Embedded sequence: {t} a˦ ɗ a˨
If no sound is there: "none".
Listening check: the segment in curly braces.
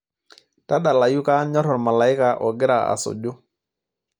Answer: t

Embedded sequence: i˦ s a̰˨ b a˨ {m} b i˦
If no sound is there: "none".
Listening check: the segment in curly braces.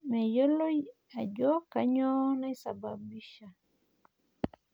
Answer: none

